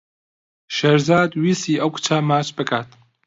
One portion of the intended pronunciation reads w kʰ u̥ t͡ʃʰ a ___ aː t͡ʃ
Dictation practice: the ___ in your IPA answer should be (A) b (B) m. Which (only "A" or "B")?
B